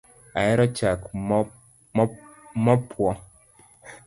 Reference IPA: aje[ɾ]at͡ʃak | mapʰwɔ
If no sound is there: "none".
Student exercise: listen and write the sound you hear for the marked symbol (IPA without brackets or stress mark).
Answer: ɾ